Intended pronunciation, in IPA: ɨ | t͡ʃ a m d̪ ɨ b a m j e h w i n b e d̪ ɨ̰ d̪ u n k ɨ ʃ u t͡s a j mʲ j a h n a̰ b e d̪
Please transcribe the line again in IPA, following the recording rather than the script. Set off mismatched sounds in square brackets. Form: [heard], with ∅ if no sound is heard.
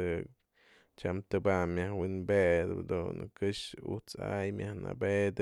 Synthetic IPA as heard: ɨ | t͡ʃ a m [t̪] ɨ b a m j [a] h w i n b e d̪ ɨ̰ d̪ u n k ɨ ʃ u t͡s a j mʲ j a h n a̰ b e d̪

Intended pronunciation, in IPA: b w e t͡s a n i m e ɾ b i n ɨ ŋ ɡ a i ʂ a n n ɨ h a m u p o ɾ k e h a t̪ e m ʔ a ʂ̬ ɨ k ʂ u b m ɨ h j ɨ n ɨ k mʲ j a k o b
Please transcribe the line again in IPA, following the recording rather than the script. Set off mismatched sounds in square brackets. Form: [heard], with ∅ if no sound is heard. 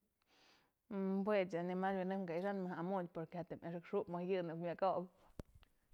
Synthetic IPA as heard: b w e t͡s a n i m [a] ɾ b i n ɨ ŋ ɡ a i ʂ a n [m] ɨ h a m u p o ɾ k e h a t̪ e m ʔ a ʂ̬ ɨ k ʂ u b m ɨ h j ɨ n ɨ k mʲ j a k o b

